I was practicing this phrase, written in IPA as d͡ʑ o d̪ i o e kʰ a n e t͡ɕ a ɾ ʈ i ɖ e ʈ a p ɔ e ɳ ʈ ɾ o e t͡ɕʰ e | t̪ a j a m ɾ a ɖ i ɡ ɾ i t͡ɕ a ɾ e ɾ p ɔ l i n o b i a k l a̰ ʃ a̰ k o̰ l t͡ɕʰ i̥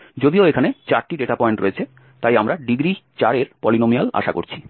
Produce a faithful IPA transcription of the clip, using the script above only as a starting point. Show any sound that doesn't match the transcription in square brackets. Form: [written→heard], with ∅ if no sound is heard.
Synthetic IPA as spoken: d͡ʑ o d̪ i o e kʰ a n e t͡ɕ a ɾ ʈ i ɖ e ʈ a p ɔ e ɳ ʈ ɾ o e t͡ɕʰ e | t̪ a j a m ɾ a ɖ i ɡ ɾ i t͡ɕ a ɾ e ɾ p ɔ l i n o [b→m] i a [k→∅] l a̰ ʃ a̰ k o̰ [l→ɾ] t͡ɕʰ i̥